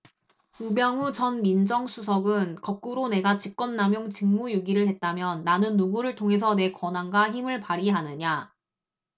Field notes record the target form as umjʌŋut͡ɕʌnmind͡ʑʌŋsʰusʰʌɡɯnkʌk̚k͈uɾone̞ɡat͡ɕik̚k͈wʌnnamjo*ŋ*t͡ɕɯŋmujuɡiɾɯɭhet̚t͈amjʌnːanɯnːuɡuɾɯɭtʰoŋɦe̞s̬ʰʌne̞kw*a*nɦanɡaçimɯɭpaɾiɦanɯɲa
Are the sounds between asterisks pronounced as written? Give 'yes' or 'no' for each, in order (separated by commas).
yes, no